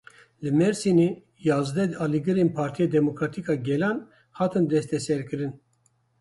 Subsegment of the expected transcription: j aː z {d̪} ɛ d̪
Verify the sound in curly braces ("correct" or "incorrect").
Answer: correct